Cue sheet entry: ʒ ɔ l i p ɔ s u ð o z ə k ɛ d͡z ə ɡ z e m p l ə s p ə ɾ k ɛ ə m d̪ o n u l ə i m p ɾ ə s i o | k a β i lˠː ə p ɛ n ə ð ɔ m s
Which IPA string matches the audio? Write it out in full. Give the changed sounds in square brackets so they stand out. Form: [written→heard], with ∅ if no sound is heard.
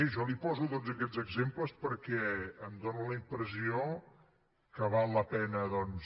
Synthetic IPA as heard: ʒ ɔ l i p ɔ [s→z] u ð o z ə k ɛ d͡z ə ɡ z e m p l ə s p ə ɾ k ɛ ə m d̪ o n u l ə i m p ɾ ə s i o | k [a→ə] β [i→a] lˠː ə p ɛ n ə ð ɔ [m→n] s